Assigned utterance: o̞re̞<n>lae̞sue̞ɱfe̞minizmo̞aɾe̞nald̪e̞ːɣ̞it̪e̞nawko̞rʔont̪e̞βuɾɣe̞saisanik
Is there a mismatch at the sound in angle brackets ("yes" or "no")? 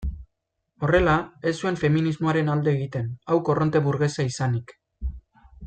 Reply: yes